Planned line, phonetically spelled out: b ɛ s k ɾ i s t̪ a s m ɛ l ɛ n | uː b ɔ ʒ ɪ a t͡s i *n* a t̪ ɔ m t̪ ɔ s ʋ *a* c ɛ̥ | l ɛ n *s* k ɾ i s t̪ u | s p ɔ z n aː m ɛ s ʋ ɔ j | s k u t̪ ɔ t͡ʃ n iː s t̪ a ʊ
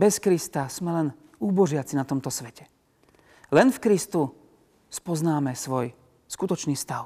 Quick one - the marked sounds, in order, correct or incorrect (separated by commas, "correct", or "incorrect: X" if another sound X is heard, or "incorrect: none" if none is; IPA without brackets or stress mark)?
correct, incorrect: ɛ, incorrect: f